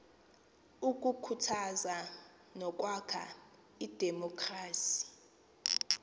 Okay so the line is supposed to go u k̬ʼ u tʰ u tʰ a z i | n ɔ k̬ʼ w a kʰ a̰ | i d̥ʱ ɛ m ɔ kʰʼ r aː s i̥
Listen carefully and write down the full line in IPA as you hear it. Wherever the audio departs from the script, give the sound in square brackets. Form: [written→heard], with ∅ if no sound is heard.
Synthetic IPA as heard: u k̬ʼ u [tʰ→kʰ] u tʰ a z [i→a] | n ɔ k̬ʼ w a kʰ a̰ | i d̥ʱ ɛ m ɔ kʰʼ r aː s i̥